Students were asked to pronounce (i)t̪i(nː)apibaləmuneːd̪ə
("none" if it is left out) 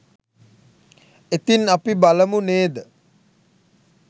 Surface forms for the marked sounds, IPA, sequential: e, n

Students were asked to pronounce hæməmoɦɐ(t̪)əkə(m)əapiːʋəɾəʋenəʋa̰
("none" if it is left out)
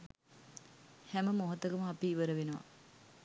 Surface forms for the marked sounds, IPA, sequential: t̪, m

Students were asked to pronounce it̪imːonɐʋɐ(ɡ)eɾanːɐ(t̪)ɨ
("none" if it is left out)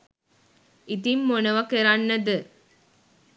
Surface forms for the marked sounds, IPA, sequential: k, d̪

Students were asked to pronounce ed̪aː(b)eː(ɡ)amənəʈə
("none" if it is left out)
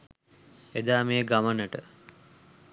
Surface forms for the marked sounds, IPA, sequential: m, ɡ

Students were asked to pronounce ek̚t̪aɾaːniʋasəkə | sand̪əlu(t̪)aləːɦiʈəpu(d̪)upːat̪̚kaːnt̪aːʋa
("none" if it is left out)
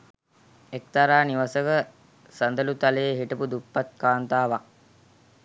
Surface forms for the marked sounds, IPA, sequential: t̪, d̪

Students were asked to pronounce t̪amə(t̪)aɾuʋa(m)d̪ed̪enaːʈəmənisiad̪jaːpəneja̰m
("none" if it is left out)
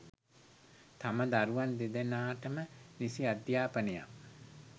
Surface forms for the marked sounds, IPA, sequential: d̪, n

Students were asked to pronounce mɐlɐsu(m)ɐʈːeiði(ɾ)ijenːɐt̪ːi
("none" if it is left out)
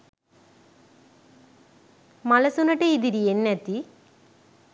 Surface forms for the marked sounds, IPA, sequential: n, ɾ

